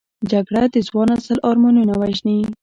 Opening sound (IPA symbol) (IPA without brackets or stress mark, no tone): d͡ʒ